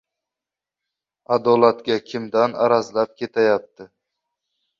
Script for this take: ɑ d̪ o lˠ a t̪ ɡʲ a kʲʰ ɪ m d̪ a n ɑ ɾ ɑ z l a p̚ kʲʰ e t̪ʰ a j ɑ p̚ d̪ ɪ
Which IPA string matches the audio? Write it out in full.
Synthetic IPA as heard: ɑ d̪ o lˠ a t̪ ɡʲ a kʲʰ ɪ m d̪ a n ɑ ɾ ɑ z l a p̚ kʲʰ e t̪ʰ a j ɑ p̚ t̪ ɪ